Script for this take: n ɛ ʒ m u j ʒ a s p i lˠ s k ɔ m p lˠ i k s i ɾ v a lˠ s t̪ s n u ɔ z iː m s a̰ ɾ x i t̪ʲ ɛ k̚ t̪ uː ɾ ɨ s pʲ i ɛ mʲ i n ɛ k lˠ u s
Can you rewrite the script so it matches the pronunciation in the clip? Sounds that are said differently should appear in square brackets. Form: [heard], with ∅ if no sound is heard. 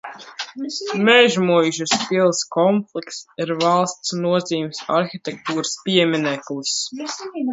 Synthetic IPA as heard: [m] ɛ ʒ m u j ʒ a s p i lˠ s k ɔ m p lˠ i k s i ɾ v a lˠ s t̪ s n u ɔ z iː m s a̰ ɾ x i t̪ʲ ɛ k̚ t̪ uː ɾ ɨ s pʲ i ɛ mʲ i n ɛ k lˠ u s